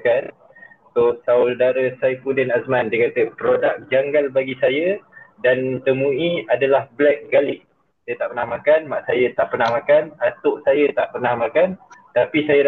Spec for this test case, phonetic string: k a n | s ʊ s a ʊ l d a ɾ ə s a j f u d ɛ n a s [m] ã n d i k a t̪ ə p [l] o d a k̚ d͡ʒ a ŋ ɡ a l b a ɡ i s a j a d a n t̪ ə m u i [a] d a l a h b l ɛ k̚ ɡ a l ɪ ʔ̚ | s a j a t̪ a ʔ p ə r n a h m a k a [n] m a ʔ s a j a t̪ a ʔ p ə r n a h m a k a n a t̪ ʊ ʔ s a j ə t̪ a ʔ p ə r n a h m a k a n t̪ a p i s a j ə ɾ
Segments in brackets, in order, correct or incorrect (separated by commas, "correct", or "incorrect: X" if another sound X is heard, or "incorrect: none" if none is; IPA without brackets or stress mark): correct, incorrect: ɾ, correct, correct